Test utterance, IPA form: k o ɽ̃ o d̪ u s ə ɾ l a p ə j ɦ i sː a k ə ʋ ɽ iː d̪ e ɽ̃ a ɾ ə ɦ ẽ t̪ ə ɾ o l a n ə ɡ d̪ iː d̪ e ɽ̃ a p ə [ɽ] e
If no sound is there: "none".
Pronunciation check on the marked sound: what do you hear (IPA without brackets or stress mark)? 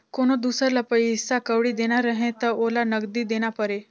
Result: ɾ